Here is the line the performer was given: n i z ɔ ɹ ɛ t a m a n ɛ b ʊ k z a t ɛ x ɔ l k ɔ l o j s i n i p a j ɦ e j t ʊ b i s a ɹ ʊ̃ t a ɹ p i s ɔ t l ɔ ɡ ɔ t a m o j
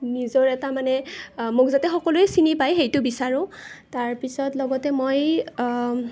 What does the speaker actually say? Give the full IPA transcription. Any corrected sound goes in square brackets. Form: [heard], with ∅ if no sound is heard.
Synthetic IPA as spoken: n i z ɔ ɹ ɛ t a m a n ɛ [m] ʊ k z a t ɛ x ɔ [∅] k ɔ l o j s i n i p a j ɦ e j t ʊ b i s a ɹ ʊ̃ t a ɹ p i s ɔ t l ɔ ɡ ɔ t [ɛ] m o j